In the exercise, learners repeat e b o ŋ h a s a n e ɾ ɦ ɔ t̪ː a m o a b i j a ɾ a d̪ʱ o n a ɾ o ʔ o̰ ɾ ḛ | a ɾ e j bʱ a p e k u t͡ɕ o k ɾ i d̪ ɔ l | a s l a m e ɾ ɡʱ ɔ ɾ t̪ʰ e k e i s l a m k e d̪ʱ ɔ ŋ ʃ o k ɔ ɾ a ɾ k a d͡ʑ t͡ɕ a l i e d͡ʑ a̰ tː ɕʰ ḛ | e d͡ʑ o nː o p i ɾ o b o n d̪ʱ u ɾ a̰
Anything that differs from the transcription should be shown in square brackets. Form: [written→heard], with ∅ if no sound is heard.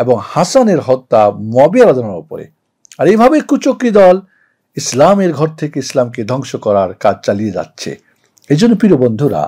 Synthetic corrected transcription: e b o ŋ h a s a n e ɾ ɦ ɔ t̪ː a m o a b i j a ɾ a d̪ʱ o n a ɾ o [ʔ→p] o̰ ɾ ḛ | a ɾ e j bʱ a [p→b] e k u t͡ɕ o k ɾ i d̪ ɔ l | [a→i] s l a m e ɾ ɡʱ ɔ ɾ t̪ʰ e k e i s l a m k e d̪ʱ ɔ ŋ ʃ o k ɔ ɾ a ɾ k a d͡ʑ t͡ɕ a l i e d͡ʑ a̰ tː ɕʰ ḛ | e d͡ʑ o nː o p i ɾ o b o n d̪ʱ u ɾ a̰